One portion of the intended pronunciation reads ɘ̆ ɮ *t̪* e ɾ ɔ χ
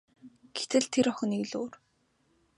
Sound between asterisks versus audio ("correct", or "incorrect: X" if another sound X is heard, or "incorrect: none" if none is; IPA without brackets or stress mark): incorrect: t̪ʰ